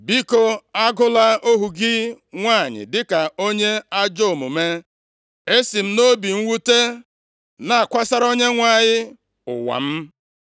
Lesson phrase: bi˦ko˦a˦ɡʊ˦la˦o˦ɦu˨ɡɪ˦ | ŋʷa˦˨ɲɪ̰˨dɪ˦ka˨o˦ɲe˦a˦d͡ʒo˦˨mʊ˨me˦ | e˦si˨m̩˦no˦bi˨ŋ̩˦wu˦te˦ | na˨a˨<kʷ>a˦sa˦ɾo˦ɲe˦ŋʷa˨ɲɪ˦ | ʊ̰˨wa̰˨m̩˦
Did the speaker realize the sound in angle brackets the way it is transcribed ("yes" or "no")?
yes